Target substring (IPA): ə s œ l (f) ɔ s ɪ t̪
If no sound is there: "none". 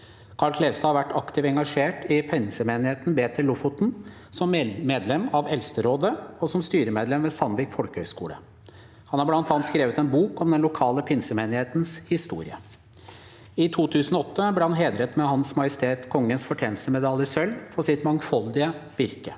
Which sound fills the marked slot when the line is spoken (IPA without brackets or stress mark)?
f